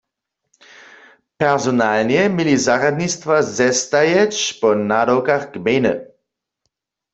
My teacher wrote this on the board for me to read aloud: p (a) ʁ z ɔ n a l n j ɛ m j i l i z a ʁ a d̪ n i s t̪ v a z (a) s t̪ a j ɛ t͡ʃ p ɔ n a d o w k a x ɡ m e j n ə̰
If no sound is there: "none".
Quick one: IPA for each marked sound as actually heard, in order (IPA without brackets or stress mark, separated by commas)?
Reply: ɛ, ɛ